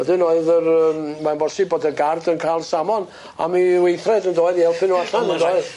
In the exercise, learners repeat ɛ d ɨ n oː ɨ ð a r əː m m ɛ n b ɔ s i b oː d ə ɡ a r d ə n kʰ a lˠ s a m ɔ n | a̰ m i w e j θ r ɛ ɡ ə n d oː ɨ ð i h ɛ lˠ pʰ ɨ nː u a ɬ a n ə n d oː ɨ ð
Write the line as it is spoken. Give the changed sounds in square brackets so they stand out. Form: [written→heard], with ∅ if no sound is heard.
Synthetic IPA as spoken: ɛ d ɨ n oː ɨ ð [a→ə] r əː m m [ɛ→a] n b ɔ s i b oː d ə ɡ a r d ə n kʰ a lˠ s a m ɔ n | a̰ m i w e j θ r ɛ [ɡ→d] ə n d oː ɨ ð i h ɛ lˠ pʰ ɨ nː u a ɬ a n ə n d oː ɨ ð